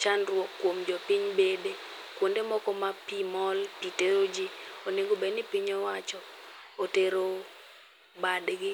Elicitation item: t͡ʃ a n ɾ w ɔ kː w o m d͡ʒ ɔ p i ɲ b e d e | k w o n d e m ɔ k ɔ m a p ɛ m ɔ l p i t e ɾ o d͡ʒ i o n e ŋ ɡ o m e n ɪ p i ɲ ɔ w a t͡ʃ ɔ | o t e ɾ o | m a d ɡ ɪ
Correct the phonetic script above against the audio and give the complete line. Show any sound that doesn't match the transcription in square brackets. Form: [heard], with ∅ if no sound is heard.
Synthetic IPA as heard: t͡ʃ a n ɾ w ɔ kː w o m d͡ʒ ɔ p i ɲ b e d e | k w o n d e m ɔ k ɔ m a p [i] m ɔ l p i t e ɾ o d͡ʒ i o n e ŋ ɡ o [b] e n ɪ p i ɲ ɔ w a t͡ʃ ɔ | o t e ɾ o | [b] a d ɡ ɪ